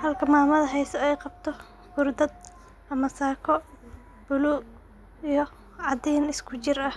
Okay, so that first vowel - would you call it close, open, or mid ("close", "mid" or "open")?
open